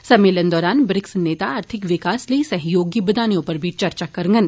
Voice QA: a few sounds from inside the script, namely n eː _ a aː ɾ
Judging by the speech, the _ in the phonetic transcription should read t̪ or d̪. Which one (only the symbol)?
t̪